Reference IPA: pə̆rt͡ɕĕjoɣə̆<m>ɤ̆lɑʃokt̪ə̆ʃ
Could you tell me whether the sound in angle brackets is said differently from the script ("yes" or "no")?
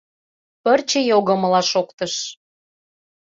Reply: no